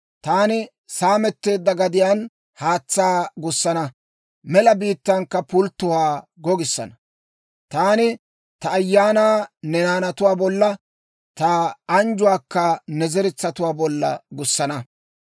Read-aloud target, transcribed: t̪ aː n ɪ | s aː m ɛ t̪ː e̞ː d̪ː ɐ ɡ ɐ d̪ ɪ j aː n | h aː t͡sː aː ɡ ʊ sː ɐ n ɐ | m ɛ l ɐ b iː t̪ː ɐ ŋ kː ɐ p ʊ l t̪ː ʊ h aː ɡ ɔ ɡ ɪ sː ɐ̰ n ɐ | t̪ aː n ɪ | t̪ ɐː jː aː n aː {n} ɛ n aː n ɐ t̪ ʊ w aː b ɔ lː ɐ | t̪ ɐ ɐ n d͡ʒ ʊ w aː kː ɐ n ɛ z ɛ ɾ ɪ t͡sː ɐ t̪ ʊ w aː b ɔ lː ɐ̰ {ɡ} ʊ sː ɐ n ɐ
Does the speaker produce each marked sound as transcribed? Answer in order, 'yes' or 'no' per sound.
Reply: yes, yes

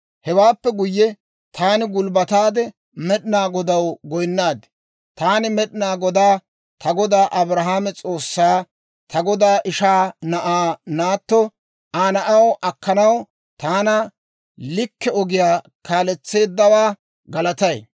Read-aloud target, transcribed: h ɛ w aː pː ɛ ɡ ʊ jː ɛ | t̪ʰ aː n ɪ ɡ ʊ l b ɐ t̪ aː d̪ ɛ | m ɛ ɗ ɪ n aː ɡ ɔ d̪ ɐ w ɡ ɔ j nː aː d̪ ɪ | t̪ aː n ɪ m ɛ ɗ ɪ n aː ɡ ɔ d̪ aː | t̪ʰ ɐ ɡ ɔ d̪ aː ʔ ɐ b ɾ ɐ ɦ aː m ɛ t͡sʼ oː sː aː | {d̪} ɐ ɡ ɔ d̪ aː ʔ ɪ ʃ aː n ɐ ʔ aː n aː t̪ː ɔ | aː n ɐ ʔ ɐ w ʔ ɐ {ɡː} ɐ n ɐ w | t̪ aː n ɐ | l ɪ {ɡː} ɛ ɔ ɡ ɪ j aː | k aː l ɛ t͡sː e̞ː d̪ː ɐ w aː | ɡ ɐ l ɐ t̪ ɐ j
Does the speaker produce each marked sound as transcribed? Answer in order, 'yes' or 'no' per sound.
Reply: no, no, no

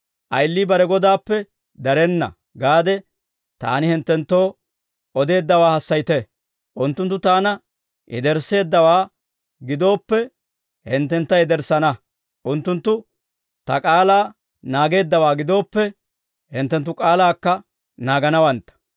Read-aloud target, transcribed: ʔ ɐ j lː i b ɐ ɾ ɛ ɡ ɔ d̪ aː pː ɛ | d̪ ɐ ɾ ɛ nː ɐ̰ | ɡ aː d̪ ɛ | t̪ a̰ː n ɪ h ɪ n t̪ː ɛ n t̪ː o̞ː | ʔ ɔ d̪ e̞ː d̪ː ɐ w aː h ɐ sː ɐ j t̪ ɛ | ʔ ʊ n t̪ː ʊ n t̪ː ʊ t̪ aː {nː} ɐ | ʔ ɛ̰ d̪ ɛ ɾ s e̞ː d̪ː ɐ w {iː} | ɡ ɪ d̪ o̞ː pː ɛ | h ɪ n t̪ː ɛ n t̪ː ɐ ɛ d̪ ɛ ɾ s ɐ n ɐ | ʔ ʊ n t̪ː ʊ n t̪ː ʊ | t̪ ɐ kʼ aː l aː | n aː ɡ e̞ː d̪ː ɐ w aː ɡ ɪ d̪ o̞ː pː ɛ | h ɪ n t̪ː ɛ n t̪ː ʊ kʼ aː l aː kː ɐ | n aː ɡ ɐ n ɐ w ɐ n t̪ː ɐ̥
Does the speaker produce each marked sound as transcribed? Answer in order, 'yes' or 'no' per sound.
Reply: no, no

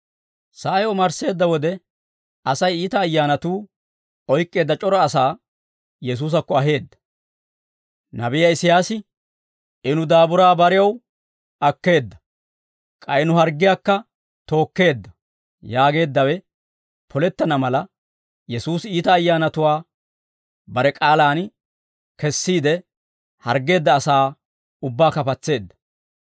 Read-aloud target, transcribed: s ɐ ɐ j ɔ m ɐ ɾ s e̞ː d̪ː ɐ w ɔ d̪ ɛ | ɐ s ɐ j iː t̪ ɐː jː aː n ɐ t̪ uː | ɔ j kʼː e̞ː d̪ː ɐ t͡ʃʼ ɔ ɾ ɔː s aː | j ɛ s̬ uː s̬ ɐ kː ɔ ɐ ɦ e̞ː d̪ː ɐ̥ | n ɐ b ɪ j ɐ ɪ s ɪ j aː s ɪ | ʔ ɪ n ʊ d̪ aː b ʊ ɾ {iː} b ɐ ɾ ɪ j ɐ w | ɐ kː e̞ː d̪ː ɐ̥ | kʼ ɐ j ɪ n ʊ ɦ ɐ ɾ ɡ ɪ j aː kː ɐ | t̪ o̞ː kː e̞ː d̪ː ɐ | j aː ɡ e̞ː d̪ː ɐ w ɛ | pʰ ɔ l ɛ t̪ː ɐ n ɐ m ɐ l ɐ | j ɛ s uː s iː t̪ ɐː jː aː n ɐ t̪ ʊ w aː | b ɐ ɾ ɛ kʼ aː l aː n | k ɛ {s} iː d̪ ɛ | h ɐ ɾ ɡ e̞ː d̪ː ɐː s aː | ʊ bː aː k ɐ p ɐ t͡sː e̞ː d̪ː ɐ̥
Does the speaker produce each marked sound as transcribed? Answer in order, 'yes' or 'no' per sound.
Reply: no, no

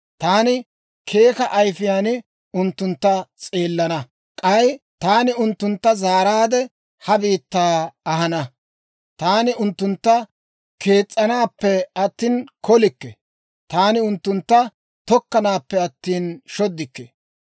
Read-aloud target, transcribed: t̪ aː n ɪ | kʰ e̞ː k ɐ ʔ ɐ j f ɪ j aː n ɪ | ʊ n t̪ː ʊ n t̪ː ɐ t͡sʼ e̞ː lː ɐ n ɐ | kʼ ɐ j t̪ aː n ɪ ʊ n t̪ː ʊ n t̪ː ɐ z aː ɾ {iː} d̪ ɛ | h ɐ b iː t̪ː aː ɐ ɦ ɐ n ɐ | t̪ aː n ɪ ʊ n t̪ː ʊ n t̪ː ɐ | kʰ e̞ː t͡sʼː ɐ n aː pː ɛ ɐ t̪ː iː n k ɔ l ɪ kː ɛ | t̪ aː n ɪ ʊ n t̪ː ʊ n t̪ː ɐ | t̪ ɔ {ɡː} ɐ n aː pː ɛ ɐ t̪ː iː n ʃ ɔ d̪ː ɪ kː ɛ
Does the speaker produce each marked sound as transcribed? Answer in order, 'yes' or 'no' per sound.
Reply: no, no

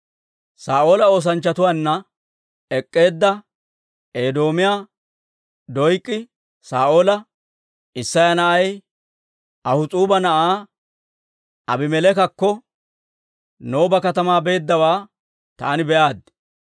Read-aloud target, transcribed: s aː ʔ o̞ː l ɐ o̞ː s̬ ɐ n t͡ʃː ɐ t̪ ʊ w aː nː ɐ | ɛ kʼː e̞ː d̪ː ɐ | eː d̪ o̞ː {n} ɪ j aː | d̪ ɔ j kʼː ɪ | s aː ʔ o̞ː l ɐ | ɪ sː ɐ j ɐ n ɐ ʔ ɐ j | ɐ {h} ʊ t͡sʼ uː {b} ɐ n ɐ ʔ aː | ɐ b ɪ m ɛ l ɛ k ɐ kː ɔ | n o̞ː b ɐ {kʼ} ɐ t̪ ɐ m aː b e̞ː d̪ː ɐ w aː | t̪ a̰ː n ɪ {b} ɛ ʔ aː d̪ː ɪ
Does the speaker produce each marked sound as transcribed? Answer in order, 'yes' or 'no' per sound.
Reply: no, yes, yes, no, yes

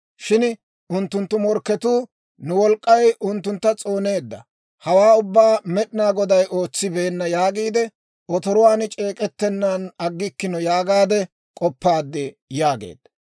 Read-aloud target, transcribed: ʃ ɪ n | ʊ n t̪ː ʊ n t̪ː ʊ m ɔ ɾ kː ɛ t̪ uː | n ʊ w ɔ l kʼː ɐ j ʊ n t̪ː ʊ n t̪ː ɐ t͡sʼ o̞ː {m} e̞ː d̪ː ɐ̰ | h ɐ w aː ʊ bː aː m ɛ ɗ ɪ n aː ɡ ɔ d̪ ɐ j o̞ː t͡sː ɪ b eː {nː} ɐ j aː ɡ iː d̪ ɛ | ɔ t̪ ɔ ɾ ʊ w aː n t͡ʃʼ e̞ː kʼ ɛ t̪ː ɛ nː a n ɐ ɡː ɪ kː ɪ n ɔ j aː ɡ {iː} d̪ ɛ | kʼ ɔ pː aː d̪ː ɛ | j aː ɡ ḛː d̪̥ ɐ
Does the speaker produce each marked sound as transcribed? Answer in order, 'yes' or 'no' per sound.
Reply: no, yes, no

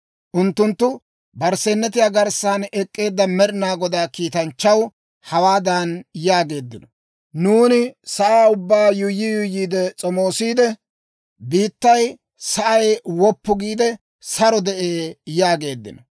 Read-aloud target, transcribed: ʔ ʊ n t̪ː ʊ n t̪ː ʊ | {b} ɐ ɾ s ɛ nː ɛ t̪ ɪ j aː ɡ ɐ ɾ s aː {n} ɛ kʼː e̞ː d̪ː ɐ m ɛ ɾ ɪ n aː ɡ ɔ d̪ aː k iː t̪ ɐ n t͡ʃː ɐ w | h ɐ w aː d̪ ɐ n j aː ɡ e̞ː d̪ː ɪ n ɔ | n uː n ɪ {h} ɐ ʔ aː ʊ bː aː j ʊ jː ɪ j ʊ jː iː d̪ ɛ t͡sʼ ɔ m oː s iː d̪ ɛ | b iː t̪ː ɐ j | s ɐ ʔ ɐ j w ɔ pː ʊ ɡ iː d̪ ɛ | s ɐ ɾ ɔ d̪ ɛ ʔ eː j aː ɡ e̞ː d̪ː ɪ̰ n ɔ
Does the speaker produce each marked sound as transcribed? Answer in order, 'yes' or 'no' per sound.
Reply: yes, yes, no

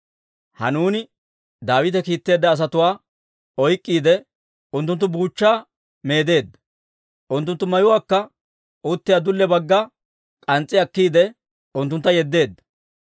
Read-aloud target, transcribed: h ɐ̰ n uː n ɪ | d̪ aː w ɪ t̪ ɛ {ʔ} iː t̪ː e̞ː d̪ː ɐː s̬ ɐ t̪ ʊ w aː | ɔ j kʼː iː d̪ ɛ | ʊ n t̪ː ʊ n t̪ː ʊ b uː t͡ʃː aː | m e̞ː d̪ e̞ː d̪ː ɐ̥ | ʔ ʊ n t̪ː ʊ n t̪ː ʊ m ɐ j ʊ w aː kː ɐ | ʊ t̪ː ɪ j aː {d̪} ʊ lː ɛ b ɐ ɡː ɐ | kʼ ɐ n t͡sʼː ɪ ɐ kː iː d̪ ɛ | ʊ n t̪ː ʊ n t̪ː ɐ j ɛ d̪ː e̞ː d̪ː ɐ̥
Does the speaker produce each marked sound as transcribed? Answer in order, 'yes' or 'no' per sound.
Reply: no, yes

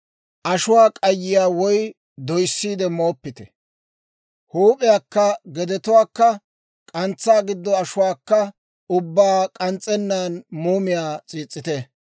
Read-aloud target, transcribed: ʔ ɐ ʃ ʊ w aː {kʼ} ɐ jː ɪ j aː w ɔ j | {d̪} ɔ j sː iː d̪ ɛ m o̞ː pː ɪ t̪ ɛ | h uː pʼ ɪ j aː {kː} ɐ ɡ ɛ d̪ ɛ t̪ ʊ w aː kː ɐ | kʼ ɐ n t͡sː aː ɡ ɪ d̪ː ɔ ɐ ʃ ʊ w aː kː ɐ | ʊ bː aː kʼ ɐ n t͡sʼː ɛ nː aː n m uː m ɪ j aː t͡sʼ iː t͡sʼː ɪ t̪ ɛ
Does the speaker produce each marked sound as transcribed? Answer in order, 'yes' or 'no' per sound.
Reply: yes, yes, yes

